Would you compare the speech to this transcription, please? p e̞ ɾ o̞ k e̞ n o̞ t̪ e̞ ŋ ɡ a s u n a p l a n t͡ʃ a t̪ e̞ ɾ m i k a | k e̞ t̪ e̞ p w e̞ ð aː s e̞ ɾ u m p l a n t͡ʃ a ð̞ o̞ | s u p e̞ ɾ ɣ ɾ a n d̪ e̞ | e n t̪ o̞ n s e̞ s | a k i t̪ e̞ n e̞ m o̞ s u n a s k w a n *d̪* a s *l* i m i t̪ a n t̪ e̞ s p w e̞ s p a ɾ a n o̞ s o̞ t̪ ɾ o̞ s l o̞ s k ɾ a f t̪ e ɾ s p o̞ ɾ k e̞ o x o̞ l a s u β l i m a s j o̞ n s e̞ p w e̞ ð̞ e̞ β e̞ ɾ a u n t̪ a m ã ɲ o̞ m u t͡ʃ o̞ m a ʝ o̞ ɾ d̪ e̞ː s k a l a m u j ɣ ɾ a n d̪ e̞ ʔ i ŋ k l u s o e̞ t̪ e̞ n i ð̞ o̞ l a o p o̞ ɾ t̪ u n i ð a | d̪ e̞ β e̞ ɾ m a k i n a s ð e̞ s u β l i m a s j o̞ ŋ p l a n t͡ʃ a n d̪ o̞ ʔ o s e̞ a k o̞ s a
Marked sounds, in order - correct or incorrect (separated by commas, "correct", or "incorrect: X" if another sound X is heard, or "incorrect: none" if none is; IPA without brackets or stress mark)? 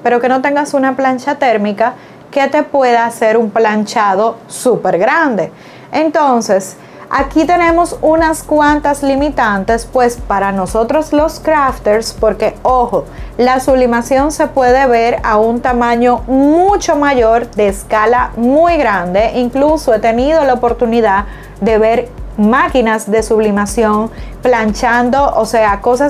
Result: incorrect: t̪, correct